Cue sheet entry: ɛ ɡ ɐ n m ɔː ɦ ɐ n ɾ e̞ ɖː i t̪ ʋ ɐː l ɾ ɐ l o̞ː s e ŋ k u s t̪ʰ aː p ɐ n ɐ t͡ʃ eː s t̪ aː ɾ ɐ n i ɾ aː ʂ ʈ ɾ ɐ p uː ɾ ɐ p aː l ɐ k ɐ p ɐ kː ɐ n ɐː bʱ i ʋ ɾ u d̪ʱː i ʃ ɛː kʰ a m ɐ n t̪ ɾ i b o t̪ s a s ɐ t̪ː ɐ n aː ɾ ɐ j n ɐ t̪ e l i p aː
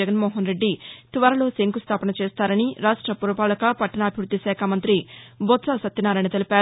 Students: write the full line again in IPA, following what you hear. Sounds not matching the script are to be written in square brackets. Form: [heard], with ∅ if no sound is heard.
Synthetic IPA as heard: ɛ ɡ ɐ n m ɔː ɦ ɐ n ɾ e̞ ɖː i t̪ ʋ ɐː [∅] ɾ ɐ l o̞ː s e ŋ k u s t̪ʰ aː p ɐ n ɐ t͡ʃ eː s t̪ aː ɾ ɐ n i ɾ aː ʂ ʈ ɾ ɐ p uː ɾ ɐ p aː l ɐ k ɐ p ɐ [ʈː] ɐ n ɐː bʱ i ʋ ɾ u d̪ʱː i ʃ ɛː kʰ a m ɐ n t̪ ɾ i b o t̪ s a s ɐ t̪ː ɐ n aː ɾ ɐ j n ɐ t̪ e l i p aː